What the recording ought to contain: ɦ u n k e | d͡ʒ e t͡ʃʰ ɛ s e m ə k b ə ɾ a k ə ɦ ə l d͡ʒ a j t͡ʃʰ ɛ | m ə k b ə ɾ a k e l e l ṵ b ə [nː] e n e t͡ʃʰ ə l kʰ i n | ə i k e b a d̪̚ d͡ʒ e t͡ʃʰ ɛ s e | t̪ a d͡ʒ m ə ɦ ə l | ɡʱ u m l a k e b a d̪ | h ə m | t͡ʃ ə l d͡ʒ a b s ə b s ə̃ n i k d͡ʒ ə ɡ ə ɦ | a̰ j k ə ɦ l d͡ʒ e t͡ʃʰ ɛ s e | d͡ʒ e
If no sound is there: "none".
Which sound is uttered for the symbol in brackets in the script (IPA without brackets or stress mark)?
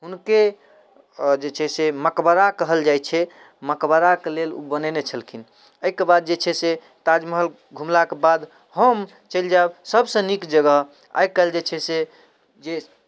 n